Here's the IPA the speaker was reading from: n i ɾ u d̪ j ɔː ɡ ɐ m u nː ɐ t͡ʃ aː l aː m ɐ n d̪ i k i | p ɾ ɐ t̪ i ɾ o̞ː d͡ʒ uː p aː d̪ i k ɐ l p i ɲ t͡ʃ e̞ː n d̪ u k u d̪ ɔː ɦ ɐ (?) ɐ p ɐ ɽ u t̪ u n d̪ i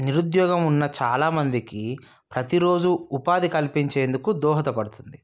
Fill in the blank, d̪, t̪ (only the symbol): t̪